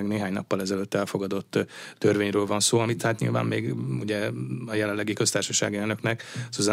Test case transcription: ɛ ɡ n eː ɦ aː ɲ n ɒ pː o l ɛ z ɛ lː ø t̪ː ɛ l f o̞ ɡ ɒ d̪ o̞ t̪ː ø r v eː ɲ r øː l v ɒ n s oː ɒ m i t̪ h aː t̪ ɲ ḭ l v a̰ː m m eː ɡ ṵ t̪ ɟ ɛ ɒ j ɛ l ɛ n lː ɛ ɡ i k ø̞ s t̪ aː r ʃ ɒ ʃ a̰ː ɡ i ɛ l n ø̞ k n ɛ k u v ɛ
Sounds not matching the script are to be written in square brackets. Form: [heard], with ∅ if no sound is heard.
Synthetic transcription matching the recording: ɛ ɡ n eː ɦ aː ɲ n ɒ pː [ɒ] l ɛ z ɛ [l] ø t̪ː ɛ l f o̞ ɡ ɒ d̪ o̞ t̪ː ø r v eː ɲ r øː l v ɒ n s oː ɒ m i t̪ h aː t̪ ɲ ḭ l v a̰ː m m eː ɡ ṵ [∅] ɟ ɛ ɒ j ɛ l ɛ n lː ɛ ɡ i k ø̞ s t̪ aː r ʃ ɒ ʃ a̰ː ɡ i ɛ l n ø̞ k n ɛ k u [z] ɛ